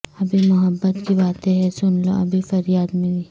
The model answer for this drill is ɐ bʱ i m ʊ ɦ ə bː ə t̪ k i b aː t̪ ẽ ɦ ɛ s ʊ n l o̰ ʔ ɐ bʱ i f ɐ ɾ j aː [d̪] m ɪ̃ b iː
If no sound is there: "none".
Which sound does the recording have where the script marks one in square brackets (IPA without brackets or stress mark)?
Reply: d̪